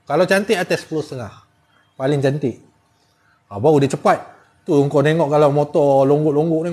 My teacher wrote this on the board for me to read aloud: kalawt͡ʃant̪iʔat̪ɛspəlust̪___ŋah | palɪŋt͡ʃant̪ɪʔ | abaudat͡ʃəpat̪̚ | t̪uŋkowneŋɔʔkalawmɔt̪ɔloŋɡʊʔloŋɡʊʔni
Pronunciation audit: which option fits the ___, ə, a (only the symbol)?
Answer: ə